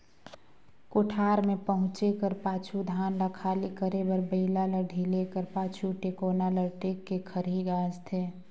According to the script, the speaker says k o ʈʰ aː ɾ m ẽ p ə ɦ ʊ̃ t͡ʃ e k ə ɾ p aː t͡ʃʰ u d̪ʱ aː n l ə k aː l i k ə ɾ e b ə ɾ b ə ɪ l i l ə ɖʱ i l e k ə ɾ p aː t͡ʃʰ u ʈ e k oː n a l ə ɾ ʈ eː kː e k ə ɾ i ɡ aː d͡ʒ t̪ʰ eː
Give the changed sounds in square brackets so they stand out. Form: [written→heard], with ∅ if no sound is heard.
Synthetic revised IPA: k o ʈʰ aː ɾ m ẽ p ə ɦ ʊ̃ t͡ʃ e k ə ɾ p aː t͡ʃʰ u d̪ʱ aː n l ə [k→kʰ] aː l i k ə ɾ e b ə ɾ b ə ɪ l [i→a] l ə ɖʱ i l e k ə ɾ p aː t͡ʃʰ u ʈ e k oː n a l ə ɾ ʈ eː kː e [k→kʰ] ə ɾ i ɡ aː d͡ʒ t̪ʰ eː

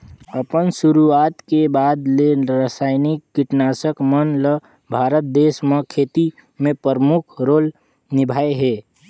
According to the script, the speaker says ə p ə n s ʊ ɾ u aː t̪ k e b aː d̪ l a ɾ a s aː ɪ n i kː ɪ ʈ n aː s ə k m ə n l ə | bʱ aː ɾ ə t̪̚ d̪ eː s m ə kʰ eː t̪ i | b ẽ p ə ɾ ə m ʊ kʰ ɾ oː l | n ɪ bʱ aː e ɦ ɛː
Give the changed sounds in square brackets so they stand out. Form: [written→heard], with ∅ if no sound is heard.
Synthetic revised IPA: ə p ə n s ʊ ɾ u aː t̪ k e b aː d̪ l [a→e] ɾ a s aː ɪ n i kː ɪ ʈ n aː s ə k m ə n l ə | bʱ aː ɾ ə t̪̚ d̪ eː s m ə kʰ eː t̪ i | [b→m] ẽ p ə ɾ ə m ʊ kʰ ɾ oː l | n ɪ bʱ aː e ɦ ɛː

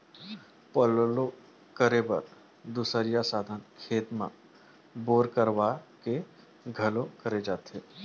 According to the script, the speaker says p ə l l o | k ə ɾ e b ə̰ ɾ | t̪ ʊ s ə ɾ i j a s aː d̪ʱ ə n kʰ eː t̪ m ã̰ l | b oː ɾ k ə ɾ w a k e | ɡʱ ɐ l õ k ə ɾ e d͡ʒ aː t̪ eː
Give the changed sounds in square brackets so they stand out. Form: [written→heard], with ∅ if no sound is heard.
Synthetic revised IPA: p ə l l o | k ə ɾ e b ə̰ ɾ | [t̪→d̪] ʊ s ə ɾ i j a s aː d̪ʱ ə n kʰ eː t̪ m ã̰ [l→∅] | b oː ɾ k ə ɾ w a k e | ɡʱ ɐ l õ k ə ɾ e d͡ʒ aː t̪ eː

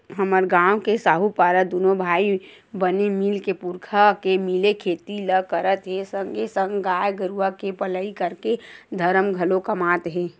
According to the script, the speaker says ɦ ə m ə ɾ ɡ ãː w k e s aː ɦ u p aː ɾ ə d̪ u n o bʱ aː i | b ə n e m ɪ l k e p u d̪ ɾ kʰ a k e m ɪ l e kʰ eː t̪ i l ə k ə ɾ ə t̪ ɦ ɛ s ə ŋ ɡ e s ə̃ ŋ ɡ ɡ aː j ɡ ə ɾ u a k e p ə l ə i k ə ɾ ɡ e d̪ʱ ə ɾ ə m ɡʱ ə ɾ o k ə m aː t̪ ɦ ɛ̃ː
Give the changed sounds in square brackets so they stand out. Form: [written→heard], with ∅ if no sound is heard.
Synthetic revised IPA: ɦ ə m ə ɾ ɡ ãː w k e s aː ɦ u p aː ɾ ə d̪ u n o bʱ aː i | b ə n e m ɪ l k e p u [d̪→∅] ɾ kʰ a k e m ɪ l e kʰ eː t̪ i l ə k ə ɾ ə t̪ ɦ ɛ s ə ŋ ɡ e s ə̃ ŋ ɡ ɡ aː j ɡ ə ɾ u a k e p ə l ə i k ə ɾ [ɡ→k] e d̪ʱ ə ɾ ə m ɡʱ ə [ɾ→l] o k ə m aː t̪ ɦ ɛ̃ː

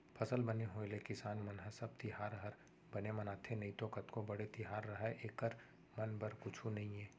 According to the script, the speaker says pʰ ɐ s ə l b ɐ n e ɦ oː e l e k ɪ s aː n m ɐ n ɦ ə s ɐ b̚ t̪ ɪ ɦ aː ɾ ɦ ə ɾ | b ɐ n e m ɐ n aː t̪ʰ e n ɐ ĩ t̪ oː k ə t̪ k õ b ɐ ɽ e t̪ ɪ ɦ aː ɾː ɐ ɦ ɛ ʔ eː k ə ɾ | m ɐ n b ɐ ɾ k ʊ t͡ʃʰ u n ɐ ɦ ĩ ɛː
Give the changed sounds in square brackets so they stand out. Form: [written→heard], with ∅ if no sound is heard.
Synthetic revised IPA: pʰ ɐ s ə l b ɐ n e ɦ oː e l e k ɪ s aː n m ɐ n ɦ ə s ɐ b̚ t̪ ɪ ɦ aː ɾ ɦ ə ɾ | b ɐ n e m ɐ n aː t̪ʰ e n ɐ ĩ t̪ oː k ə t̪ k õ b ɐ ɽ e t̪ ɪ ɦ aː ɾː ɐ ɦ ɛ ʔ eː k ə ɾ | m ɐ n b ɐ ɾ k ʊ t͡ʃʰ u n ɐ ɦ ĩ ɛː

